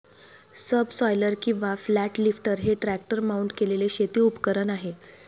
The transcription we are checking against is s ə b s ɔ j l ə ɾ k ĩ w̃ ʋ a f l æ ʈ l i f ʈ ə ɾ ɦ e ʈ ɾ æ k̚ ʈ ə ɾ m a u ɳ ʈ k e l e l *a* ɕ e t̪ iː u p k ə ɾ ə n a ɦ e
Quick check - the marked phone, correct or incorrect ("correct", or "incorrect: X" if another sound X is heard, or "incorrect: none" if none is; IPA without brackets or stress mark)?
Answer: incorrect: e